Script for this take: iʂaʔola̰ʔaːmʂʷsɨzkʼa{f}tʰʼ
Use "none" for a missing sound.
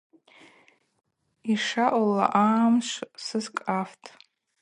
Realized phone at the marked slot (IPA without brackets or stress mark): f